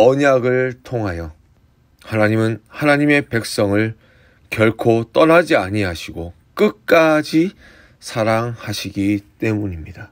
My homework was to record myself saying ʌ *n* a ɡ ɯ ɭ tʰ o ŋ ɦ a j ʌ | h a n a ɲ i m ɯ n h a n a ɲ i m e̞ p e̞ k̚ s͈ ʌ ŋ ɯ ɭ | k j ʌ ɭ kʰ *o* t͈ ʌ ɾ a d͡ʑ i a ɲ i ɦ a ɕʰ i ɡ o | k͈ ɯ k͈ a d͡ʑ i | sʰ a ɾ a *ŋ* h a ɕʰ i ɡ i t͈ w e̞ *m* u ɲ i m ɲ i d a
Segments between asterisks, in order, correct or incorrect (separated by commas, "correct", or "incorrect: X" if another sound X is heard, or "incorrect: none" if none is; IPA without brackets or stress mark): incorrect: ɲ, correct, correct, correct